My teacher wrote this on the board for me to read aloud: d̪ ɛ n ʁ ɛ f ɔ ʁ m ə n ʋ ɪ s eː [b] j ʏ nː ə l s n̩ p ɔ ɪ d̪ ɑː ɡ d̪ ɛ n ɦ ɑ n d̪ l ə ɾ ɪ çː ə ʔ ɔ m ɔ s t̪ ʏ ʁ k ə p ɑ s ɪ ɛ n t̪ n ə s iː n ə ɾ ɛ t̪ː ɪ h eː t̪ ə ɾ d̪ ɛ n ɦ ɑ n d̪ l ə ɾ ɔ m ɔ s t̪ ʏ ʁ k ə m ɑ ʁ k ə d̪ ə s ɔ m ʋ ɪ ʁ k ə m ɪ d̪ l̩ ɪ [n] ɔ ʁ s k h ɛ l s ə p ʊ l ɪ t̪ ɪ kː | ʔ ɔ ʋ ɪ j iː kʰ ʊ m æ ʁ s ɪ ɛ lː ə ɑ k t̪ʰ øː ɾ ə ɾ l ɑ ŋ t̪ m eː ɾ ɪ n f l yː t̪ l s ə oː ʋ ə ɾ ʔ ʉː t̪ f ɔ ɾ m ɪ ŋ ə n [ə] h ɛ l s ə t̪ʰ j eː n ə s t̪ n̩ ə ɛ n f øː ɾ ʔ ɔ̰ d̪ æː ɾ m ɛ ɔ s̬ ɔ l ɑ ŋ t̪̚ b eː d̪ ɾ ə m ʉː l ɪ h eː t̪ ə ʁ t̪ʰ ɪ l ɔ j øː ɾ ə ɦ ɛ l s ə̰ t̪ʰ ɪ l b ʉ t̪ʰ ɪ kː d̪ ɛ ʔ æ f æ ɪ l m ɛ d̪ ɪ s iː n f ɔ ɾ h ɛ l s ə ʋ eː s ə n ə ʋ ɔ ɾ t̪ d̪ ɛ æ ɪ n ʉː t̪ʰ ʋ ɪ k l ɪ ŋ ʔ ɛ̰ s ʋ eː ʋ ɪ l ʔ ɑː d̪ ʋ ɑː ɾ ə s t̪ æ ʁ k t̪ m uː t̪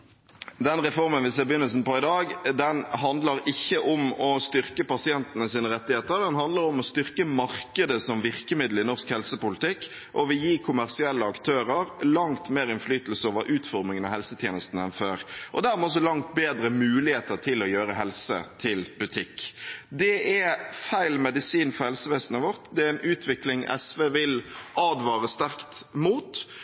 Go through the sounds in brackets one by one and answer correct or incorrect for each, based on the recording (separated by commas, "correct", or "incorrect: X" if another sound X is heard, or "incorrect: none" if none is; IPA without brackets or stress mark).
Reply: correct, correct, incorrect: ɑ